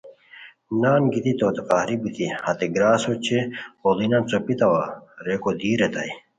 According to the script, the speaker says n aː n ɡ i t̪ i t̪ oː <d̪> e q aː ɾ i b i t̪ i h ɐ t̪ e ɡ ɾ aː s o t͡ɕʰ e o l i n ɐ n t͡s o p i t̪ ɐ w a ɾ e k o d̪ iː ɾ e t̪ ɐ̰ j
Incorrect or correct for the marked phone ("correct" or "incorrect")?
incorrect